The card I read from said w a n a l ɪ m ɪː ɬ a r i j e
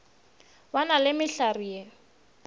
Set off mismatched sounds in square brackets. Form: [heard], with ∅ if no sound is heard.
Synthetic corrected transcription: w a n a l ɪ m [ɪ] ɬ a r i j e